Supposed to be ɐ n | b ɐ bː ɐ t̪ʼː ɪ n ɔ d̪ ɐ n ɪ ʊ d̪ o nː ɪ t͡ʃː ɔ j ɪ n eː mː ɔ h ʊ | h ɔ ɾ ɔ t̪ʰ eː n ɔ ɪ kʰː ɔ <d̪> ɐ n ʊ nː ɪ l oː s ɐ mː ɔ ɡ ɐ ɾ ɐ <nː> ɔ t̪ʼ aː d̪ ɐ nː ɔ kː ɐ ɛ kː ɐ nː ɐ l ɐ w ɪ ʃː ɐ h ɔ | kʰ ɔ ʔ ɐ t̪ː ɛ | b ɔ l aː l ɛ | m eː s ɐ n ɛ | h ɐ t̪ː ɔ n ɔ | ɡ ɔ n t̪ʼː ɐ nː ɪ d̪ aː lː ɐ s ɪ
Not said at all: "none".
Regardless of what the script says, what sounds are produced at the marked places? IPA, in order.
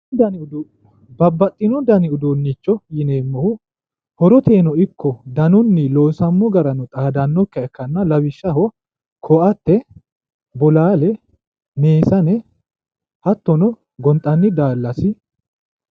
d̪, n

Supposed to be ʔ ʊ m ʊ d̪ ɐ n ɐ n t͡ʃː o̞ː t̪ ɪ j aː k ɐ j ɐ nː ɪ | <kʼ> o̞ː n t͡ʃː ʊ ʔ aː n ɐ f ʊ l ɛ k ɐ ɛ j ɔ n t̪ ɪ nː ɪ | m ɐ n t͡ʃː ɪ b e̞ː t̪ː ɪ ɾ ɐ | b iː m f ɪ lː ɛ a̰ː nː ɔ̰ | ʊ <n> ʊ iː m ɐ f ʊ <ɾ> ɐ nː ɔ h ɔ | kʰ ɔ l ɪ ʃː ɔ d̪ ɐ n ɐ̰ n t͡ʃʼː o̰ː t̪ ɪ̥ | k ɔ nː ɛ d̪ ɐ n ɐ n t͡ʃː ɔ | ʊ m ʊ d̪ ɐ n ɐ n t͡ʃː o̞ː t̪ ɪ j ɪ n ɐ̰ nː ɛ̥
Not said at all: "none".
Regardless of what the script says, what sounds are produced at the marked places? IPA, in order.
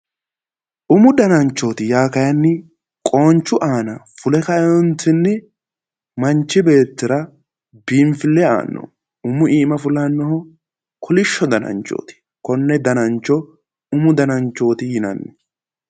kʼ, m, l

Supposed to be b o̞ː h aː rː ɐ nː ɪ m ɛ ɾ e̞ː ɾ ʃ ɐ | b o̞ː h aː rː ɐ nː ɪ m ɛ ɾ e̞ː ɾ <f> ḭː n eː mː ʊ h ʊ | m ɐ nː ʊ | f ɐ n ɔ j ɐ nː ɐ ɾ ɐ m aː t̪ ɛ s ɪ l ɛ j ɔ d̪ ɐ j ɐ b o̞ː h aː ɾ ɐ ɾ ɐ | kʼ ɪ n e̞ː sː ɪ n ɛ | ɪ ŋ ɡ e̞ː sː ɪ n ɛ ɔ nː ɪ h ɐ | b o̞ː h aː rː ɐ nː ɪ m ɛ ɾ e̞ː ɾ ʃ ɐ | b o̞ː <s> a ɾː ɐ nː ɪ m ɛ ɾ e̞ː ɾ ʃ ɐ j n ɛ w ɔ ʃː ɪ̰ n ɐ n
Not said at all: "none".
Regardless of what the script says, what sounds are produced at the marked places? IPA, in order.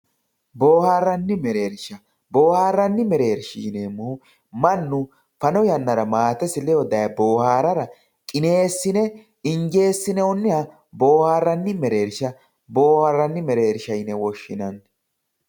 ʃ, h

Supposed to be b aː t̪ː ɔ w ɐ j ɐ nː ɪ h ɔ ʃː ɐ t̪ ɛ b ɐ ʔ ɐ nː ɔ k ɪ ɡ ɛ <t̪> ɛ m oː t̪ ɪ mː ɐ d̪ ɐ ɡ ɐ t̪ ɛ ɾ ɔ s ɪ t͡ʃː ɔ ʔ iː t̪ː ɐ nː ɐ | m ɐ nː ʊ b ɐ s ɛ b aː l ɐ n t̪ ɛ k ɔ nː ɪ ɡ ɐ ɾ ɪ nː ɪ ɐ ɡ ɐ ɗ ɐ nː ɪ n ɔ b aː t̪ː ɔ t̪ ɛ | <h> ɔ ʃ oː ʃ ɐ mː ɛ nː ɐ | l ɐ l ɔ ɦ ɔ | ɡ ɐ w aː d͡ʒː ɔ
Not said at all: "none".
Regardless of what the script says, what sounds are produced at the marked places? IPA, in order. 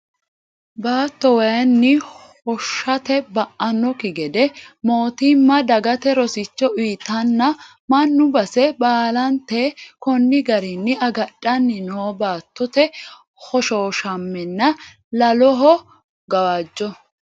d̪, h

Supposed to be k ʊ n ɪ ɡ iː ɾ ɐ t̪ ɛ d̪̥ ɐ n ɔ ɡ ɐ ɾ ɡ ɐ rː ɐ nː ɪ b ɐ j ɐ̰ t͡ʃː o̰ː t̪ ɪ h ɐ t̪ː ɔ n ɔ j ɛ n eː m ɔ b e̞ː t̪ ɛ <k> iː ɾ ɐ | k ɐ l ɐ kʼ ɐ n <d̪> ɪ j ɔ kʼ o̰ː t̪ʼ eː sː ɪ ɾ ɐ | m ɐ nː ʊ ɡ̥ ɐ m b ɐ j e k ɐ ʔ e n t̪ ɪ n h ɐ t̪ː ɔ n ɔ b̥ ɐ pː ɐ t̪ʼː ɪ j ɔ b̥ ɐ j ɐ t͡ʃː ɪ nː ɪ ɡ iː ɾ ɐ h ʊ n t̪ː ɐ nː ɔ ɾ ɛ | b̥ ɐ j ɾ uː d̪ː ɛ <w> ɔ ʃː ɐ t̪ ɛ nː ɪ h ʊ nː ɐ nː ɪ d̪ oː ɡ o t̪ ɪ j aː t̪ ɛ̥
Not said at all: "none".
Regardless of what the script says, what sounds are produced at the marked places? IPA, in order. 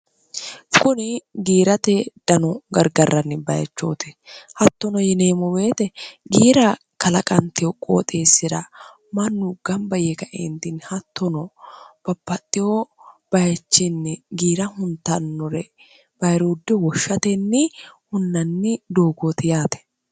ɡ, t̪, w

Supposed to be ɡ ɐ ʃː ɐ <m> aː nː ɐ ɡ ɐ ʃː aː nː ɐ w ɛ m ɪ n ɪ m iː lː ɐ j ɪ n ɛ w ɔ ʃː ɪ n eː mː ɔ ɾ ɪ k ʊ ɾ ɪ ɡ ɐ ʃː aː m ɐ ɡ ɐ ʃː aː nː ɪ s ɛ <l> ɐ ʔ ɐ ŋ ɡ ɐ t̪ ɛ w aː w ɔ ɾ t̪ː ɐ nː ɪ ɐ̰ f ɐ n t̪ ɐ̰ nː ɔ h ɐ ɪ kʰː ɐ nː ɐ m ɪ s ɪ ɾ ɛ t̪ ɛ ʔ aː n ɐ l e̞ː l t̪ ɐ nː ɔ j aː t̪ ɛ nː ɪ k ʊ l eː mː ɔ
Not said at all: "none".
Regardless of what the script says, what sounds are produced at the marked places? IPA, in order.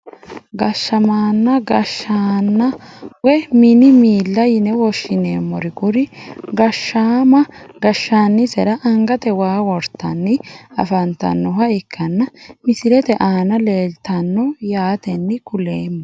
m, ɾ

